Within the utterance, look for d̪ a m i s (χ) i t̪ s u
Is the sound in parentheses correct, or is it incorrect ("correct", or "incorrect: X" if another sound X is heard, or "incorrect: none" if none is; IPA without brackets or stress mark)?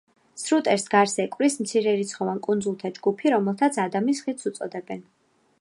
correct